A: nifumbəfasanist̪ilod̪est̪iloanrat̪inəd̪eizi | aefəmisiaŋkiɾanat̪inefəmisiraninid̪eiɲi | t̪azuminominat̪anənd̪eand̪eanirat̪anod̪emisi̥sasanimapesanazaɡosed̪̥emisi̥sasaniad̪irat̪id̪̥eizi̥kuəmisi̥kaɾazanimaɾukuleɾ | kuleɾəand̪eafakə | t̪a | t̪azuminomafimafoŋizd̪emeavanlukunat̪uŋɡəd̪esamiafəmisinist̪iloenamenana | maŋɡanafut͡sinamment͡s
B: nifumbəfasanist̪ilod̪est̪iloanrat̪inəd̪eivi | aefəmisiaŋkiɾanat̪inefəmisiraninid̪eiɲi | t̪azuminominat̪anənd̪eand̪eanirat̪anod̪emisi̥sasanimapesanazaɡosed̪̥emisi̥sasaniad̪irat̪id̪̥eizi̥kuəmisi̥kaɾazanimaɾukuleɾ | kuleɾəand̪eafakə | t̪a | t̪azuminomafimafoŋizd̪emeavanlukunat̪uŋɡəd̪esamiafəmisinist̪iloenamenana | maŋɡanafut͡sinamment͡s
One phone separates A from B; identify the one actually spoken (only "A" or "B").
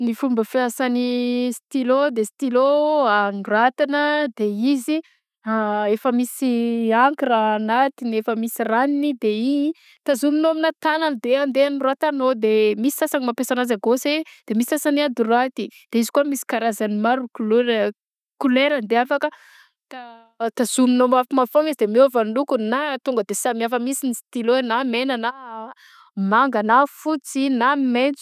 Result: A